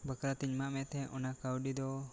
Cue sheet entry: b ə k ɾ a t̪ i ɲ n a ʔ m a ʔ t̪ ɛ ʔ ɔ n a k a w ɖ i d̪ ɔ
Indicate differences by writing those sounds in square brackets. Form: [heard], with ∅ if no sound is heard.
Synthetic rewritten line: b ə k ɾ a t̪ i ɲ [m] a ʔ m [ɛ] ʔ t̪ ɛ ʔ ɔ n a k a w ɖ i d̪ ɔ